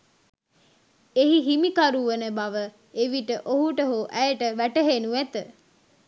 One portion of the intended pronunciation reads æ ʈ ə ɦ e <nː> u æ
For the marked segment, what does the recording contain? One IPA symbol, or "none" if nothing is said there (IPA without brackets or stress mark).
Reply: n